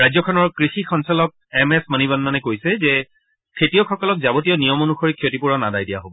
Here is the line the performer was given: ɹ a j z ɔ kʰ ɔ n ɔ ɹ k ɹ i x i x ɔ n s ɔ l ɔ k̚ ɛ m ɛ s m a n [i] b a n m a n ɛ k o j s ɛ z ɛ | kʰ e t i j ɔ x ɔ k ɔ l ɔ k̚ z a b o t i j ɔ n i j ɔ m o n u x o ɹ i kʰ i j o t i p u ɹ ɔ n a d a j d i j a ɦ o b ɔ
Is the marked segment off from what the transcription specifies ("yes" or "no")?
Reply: no